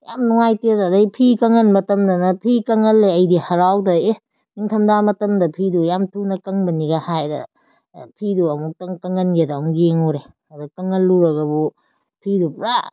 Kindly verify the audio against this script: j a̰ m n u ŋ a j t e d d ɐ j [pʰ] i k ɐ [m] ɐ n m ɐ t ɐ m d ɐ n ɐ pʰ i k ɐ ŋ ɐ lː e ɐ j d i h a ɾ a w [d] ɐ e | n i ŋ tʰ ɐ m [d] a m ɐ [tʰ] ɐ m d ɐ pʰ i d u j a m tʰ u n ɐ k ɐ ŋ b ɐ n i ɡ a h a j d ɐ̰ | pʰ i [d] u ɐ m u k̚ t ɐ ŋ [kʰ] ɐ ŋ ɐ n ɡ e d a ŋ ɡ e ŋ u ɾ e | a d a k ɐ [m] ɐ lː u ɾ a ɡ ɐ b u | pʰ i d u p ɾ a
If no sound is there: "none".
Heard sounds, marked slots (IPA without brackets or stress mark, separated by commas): pʰ, ŋ, d, d, t, d, k, ŋ